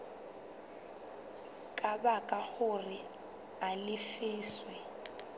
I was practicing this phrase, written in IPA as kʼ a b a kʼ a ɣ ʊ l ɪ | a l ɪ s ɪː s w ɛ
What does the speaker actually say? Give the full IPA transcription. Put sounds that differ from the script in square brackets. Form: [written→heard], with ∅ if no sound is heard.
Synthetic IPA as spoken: kʼ a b a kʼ a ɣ ʊ [l→r] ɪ | a l ɪ [s→f] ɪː s w ɛ